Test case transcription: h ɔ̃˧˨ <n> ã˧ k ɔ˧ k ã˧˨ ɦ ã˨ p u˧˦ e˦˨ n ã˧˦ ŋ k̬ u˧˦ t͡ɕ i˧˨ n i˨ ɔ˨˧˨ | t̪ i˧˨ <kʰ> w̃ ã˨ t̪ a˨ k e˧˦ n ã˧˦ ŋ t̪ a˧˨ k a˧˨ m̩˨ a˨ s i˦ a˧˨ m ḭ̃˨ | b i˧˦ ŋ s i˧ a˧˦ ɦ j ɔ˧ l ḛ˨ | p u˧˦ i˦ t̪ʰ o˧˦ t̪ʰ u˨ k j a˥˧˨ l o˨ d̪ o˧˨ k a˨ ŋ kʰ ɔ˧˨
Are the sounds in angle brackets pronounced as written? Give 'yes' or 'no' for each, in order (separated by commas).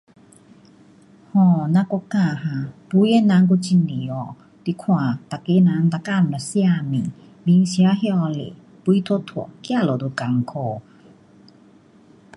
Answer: yes, yes